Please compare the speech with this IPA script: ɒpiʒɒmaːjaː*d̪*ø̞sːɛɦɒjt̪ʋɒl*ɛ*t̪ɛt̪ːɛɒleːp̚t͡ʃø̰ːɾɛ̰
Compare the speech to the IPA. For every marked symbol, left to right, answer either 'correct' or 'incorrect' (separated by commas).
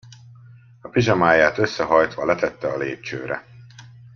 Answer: incorrect, correct